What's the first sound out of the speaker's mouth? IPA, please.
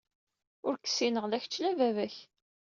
ʊ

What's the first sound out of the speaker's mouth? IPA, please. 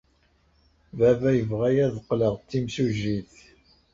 v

